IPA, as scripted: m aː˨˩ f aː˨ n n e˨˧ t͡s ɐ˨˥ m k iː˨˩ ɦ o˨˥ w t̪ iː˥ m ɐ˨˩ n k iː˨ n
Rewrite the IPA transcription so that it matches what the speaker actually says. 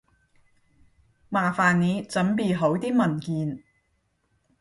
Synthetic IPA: m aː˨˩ f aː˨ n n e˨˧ t͡s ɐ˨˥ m p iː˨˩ ɦ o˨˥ w t̪ iː˥ m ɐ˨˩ n k iː˨ n